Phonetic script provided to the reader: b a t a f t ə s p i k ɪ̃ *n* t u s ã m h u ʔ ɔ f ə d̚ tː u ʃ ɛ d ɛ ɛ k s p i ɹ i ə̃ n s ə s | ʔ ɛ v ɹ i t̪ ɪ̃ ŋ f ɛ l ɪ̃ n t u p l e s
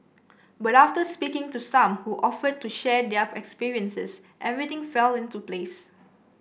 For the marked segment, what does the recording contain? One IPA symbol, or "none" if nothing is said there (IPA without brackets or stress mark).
ŋ